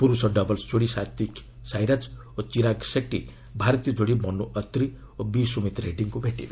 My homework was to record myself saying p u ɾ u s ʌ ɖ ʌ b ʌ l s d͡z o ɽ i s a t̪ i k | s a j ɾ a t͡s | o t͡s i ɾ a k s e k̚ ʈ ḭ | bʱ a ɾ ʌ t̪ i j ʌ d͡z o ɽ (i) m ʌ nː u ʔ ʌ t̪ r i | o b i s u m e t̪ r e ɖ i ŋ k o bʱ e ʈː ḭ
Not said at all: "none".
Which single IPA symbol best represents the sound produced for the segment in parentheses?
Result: i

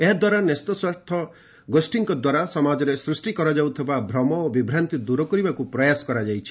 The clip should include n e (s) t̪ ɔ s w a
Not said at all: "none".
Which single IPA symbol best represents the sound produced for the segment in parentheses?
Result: s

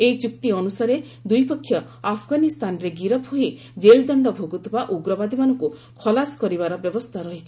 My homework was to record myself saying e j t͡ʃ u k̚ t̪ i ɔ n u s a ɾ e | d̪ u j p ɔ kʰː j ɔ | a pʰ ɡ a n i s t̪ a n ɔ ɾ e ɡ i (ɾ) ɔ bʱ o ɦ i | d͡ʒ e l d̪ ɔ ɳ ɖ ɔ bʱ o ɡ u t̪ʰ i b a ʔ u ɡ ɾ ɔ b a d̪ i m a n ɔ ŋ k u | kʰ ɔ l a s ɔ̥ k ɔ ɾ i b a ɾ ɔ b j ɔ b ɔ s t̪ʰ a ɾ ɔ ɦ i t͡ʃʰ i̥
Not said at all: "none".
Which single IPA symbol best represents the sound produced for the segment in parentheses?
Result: ɾ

